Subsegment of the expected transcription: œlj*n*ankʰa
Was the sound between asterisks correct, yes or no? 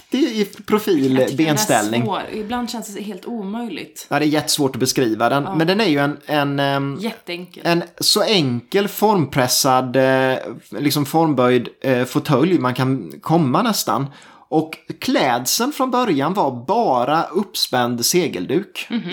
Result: no